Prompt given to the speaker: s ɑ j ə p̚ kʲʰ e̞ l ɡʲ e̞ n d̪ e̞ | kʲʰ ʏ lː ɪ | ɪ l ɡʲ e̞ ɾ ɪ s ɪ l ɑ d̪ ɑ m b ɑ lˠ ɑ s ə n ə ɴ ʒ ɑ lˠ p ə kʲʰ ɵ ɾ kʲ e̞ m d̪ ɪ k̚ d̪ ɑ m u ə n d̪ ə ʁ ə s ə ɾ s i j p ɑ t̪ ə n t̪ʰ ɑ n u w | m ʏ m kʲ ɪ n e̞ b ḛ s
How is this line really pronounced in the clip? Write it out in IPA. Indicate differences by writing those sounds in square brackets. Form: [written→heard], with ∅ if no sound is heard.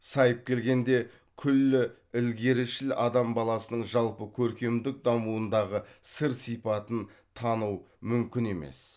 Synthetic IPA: s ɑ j ə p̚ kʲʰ e̞ l ɡʲ e̞ n d̪ e̞ | kʲʰ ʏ lː ɪ | ɪ l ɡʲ e̞ ɾ ɪ [s→ʃ] ɪ l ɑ d̪ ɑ m b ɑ lˠ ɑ s ə n ə ɴ ʒ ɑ lˠ p ə kʲʰ ɵ ɾ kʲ e̞ m d̪ ɪ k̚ d̪ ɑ m u ə n d̪ [ə→ɑ] ʁ ə s ə ɾ s i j p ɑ t̪ ə n t̪ʰ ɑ n u w | m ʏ m kʲ ɪ n e̞ [b→m] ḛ s